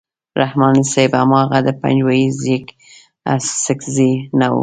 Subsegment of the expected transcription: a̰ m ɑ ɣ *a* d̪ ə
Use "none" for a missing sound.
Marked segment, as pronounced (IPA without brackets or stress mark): a